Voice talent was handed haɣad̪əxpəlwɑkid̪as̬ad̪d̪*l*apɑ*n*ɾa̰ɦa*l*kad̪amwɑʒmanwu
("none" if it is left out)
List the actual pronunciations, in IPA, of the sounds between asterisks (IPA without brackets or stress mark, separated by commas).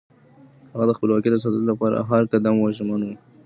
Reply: l, none, ɾ